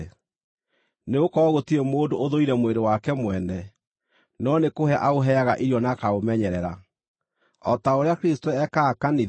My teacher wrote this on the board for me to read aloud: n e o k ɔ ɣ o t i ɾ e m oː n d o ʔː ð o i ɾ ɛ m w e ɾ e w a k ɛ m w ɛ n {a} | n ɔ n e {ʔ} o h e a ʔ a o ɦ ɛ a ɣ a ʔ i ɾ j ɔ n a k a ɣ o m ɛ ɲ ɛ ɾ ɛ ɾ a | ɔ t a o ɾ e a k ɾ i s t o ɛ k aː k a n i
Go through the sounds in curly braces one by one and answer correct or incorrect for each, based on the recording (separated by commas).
incorrect, incorrect